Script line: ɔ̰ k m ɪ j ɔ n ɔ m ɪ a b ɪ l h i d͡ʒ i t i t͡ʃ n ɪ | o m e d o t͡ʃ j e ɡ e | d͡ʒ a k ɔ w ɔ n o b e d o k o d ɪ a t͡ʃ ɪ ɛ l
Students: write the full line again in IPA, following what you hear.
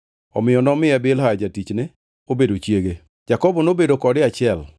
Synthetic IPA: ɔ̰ m ɪ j ɔ n ɔ m ɪ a b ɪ l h a d͡ʒ a t i t͡ʃ n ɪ | o b e d o t͡ʃ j e ɡ e | d͡ʒ a k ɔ b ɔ n o b e d o k ɔ d ɪ a t͡ʃ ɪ ɛ l

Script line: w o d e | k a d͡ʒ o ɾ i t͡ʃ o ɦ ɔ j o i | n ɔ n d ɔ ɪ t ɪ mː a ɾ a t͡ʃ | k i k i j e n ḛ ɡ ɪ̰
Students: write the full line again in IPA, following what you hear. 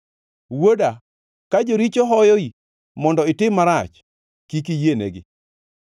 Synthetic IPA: w o d a | k a d͡ʒ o ɾ i t͡ʃ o ɦ ɔ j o i | m ɔ n d ɔ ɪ t ɪ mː a ɾ a t͡ʃ | k i k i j e n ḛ ɡ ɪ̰

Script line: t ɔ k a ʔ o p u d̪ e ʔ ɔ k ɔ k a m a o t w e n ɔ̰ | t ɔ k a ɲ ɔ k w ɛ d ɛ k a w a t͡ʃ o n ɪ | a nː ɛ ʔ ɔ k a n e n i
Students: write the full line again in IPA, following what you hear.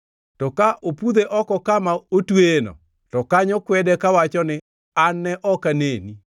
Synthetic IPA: t ɔ k a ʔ o p u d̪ e ʔ ɔ k ɔ k a m a o t w e n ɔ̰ | t ɔ k a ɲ ɔ k w ɛ d ɛ k a w a t͡ʃ ɔ n ɪ | a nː ɛ ʔ ɔ k a n e n i

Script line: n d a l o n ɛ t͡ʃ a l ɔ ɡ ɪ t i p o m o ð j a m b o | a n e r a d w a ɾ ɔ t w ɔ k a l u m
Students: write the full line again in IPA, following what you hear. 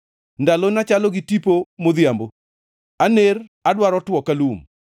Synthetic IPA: n d a l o n a t͡ʃ a l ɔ ɡ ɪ t i p o m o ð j a m b o | a n e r a d w a ɾ ɔ t w ɔ k a l u m

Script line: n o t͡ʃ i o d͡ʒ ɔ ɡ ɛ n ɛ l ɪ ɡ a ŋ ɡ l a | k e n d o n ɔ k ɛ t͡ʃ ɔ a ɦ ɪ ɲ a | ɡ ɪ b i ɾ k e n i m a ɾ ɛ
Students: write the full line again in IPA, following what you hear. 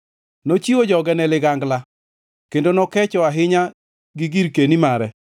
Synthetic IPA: n o t͡ʃ i o d͡ʒ ɔ ɡ ɛ n ɛ l ɪ ɡ a ŋ ɡ l a | k e n d o n ɔ k ɛ t͡ʃ ɔ a ɦ ɪ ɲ a | ɡ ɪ ɡ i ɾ k e n i m a ɾ ɛ

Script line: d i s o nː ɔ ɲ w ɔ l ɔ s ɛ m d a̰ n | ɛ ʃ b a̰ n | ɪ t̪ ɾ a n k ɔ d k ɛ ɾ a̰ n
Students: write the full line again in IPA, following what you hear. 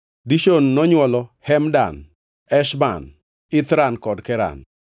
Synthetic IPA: d i ʃ o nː ɔ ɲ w ɔ l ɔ h ɛ m d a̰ n | ɛ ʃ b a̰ n | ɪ t̪ ɾ a n k ɔ d k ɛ ɾ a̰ n

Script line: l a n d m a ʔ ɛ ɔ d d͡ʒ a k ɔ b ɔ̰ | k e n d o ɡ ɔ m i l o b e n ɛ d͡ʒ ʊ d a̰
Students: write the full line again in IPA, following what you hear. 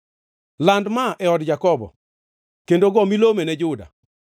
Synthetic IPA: l a n d m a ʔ ɛ ɔ d d͡ʒ a k ɔ b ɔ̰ | k e n d o ɡ ɔ m i l o m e n ɛ d͡ʒ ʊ d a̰

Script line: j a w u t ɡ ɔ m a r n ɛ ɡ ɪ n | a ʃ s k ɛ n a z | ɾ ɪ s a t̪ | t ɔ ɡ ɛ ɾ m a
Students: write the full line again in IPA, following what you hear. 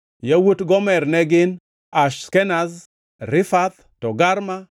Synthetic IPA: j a w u t ɡ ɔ m ɛ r n ɛ ɡ ɪ n | a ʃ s k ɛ n a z | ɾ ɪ f a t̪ | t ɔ ɡ a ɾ m a

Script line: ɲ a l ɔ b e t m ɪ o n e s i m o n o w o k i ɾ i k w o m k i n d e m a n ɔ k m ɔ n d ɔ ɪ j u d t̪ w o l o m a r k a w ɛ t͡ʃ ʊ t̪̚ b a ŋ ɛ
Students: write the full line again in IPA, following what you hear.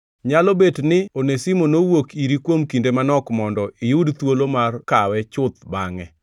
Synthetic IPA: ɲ a l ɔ b e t n ɪ o n e s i m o n o w o k i ɾ i k w o m k i n d e m a n ɔ k m ɔ n d ɔ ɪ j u d t̪ w o l o m a r k a w ɛ t͡ʃ ʊ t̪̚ b a ŋ ɛ

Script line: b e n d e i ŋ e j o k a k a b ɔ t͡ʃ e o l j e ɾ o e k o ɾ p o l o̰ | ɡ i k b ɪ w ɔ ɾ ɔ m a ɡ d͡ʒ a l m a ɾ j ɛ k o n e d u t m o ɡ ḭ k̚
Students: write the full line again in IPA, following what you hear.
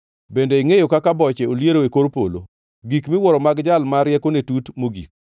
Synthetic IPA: b e n d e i ŋ e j o k a k a b ɔ t͡ʃ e o l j e ɾ o e k o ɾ p o l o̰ | ɡ i k m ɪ w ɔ ɾ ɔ m a ɡ d͡ʒ a l m a ɾ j ɛ k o n e t u t m o ɡ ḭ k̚

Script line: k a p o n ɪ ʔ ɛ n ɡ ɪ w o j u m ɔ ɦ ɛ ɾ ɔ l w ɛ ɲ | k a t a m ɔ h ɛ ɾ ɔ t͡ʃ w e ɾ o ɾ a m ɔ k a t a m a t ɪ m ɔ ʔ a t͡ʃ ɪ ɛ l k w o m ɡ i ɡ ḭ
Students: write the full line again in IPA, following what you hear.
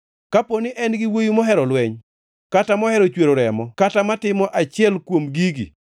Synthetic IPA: k a p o n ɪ ʔ ɛ n ɡ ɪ w o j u m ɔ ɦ ɛ ɾ ɔ l w ɛ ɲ | k a t a m ɔ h ɛ ɾ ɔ t͡ʃ w e ɾ o ɾ ɛ m ɔ k a t a m a t ɪ m ɔ ʔ a t͡ʃ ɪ ɛ l k w o m ɡ i ɡ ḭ

